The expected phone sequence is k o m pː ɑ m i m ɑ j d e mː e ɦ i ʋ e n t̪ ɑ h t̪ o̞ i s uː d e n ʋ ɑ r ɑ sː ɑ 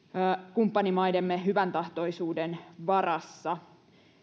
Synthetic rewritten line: k u m pː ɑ n i m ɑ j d e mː e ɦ y ʋ æ n t̪ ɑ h t̪ o̞ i s uː d e n ʋ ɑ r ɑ sː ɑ